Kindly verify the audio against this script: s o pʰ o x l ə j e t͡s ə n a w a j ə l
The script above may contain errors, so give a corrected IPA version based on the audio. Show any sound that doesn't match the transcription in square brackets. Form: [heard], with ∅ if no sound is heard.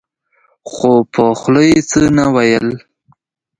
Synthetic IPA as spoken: [x] o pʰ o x l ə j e t͡s ə n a w a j ə l